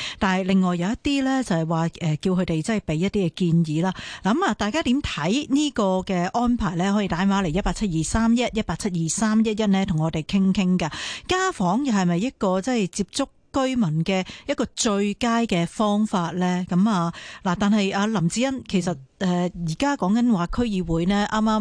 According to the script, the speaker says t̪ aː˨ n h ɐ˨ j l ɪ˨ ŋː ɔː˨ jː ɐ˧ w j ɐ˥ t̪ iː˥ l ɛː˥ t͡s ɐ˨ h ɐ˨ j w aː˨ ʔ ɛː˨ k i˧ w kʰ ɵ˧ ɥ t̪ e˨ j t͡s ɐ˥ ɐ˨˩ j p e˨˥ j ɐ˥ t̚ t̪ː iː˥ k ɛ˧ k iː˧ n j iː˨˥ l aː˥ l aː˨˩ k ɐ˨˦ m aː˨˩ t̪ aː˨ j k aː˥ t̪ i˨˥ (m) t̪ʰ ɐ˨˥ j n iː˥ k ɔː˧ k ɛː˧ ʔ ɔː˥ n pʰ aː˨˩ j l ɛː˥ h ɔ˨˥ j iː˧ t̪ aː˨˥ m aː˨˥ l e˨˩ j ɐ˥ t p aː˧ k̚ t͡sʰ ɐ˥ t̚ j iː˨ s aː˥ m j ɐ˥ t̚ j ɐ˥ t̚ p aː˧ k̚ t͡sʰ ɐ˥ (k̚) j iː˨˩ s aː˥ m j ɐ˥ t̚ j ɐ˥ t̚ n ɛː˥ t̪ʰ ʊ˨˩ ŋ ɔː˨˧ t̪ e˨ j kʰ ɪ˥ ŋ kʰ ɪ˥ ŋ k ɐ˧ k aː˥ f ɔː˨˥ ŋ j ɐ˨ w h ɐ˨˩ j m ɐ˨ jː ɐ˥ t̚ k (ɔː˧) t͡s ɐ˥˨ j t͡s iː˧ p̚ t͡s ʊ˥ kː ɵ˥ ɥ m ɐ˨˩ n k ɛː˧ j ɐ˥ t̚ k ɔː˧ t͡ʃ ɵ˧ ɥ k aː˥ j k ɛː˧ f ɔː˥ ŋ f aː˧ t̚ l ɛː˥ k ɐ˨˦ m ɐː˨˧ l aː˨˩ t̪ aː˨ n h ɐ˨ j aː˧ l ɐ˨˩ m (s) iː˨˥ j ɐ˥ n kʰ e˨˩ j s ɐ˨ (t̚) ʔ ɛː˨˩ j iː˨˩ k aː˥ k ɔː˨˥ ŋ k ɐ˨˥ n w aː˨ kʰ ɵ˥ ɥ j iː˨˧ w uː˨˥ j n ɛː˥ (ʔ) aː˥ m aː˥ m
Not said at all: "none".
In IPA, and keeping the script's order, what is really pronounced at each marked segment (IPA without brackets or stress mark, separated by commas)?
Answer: m, t̚, ɔː˧, t͡s, t̚, ʔ